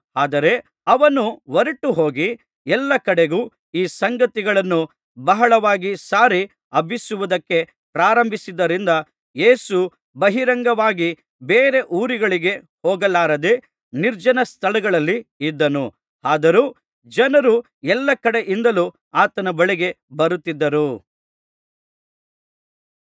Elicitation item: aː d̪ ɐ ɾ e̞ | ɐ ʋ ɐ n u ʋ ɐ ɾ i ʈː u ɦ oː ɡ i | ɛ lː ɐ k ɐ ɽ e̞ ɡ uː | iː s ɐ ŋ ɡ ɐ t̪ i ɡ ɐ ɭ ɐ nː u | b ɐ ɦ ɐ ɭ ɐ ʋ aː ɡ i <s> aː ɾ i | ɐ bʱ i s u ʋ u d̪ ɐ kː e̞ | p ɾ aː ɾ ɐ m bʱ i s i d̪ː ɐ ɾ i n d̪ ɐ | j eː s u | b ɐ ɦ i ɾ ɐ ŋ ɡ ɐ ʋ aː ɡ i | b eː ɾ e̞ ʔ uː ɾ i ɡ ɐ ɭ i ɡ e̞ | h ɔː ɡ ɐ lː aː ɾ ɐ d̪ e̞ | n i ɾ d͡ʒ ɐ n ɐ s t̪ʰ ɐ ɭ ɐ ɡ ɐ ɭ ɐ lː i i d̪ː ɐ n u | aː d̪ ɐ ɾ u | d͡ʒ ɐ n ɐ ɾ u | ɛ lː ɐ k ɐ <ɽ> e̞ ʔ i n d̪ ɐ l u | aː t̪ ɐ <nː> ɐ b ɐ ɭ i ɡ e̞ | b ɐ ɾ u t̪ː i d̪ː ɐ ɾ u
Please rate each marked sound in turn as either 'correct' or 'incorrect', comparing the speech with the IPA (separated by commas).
correct, correct, incorrect